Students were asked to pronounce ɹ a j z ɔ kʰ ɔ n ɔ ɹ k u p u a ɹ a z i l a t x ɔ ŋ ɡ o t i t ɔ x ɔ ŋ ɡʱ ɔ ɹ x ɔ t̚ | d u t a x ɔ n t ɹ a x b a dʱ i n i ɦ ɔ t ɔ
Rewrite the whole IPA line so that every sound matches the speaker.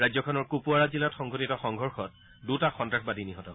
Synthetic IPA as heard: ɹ a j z ɔ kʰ ɔ n ɔ ɹ k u p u a ɹ a z i l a t x ɔ ŋ ɡ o t i t ɔ x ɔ ŋ ɡʱ ɔ ɹ x ɔ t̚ | d u t a x ɔ n t ɹ a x b a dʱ i n i ɦ ɔ t ɔ